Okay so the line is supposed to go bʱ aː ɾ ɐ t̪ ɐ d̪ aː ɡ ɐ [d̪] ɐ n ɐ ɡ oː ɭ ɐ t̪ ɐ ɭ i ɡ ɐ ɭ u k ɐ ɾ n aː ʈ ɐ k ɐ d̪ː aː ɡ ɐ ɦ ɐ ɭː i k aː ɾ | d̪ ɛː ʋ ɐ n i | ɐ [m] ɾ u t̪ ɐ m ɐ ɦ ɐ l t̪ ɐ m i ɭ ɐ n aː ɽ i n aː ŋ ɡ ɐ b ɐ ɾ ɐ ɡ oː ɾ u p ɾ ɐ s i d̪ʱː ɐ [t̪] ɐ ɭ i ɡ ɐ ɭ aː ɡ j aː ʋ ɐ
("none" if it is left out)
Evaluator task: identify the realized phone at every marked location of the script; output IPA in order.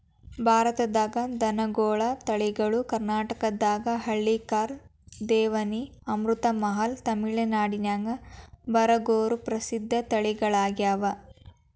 d̪, m, t̪

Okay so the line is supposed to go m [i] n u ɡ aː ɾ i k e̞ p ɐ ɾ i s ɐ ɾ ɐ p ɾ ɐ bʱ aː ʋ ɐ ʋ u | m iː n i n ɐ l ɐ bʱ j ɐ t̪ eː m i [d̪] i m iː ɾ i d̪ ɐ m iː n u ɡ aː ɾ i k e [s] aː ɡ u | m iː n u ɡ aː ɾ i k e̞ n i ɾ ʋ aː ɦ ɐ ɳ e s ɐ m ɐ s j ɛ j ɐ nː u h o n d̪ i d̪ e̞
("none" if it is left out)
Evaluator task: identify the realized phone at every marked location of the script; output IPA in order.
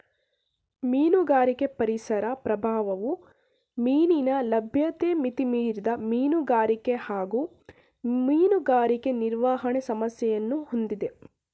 iː, t̪, h

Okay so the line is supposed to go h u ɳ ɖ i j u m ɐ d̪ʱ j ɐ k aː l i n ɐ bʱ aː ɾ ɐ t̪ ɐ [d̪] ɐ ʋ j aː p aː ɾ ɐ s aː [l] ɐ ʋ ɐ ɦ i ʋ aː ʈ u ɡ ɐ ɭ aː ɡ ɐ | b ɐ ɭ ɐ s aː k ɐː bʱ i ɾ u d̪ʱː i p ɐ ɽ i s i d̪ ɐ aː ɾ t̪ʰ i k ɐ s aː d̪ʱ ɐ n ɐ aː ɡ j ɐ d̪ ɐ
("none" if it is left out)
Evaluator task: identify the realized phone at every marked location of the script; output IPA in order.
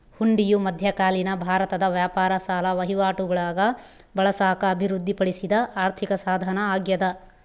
d̪, l

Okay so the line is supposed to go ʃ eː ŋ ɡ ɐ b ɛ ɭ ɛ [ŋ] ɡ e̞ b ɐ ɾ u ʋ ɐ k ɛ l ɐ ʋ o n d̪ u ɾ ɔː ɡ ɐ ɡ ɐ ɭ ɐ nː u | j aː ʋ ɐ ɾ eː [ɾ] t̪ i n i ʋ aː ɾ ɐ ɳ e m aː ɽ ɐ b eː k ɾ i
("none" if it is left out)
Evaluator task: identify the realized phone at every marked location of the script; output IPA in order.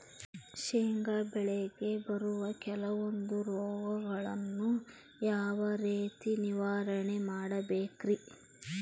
none, none

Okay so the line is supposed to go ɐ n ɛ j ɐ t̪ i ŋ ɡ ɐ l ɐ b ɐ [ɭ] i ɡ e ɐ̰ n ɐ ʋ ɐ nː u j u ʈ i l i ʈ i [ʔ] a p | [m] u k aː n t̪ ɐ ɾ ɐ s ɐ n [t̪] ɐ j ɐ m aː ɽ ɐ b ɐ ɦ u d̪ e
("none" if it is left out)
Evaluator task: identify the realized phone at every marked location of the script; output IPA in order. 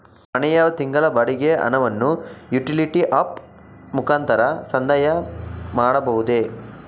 ɽ, ʔ, m, d̪

